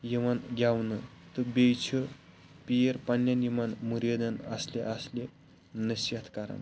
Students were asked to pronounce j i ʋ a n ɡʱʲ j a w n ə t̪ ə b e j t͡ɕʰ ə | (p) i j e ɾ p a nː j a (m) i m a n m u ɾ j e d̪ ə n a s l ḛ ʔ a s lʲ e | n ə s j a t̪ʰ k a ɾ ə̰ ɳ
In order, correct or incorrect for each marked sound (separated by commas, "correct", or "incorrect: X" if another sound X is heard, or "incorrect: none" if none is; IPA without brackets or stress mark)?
correct, incorrect: n